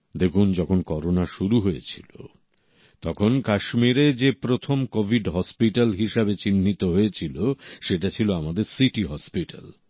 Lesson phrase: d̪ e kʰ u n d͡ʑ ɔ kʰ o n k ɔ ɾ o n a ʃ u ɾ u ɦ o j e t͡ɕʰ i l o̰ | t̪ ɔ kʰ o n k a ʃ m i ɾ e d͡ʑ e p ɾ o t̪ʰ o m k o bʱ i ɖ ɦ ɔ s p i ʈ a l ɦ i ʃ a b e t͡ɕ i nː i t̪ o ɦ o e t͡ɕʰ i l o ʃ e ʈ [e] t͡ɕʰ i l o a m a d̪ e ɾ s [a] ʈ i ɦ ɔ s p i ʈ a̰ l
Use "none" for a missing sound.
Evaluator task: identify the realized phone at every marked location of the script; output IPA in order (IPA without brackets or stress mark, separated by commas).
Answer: a, i